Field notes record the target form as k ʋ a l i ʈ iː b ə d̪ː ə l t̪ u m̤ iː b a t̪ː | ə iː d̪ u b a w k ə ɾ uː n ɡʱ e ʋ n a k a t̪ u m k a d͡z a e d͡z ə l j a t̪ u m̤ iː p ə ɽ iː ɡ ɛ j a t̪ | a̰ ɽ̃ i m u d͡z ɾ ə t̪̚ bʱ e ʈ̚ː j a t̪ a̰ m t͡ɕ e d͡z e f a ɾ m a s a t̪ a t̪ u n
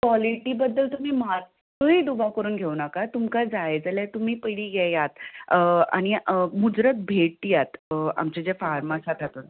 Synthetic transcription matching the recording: k ʋ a l i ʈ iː b ə d̪ː ə l t̪ u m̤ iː m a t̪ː | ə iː d̪ u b a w k ə ɾ uː n ɡʱ e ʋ n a k a t̪ u m k a d͡z a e d͡z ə l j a t̪ u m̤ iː p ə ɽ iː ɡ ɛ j a t̪ | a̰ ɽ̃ i m u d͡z ɾ ə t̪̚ bʱ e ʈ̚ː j a t̪ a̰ m t͡ɕ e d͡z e f a ɾ m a s a t̪ a t̪ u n